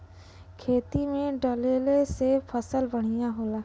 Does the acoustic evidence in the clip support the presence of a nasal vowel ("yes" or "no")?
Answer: yes